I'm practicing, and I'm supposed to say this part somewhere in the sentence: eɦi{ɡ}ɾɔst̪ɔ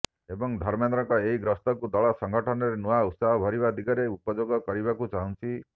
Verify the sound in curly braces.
correct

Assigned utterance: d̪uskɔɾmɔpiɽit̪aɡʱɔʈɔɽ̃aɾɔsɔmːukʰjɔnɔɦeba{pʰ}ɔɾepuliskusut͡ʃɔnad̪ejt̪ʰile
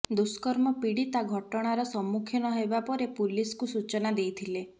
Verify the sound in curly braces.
incorrect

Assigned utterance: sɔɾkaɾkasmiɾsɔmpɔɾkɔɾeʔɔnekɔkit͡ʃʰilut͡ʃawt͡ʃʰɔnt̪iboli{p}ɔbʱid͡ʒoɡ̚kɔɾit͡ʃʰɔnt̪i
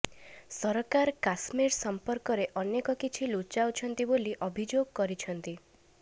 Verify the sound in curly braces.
incorrect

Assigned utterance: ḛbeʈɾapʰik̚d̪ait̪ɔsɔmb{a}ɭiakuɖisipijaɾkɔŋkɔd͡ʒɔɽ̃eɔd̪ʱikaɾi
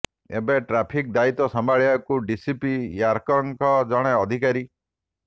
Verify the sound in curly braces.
correct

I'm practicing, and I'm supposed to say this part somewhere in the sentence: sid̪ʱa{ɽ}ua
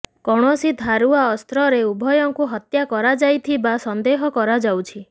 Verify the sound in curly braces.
incorrect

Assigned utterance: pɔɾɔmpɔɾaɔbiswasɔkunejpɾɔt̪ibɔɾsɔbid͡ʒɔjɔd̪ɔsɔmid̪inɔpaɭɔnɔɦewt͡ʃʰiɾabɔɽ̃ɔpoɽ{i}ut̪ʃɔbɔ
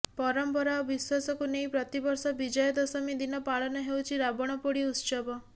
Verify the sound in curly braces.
correct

